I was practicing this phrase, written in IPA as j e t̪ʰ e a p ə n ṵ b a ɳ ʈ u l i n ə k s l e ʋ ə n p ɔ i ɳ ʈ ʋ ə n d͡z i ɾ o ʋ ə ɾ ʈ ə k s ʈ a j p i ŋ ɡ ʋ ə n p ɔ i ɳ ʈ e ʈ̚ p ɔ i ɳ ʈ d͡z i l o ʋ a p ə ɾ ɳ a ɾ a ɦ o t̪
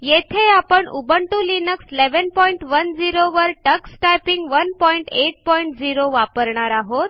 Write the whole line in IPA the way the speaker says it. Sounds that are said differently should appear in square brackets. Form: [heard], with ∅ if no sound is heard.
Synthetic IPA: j e t̪ʰ e a p ə [ɳ] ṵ b [ə] ɳ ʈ u l i n ə k s l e ʋ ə n p ɔ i ɳ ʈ ʋ ə n d͡z i ɾ o ʋ ə ɾ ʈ ə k s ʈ a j p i ŋ ɡ ʋ ə n p ɔ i ɳ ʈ e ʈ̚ p ɔ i ɳ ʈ d͡z i [ɾ] o ʋ a p ə ɾ ɳ a ɾ a ɦ o t̪